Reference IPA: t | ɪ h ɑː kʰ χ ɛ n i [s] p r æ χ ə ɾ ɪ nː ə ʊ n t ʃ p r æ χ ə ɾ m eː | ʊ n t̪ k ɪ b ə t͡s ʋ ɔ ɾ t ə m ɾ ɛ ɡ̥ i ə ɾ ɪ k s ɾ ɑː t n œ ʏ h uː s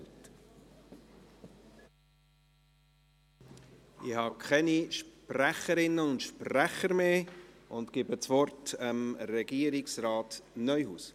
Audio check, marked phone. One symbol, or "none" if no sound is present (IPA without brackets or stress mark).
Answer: ʃ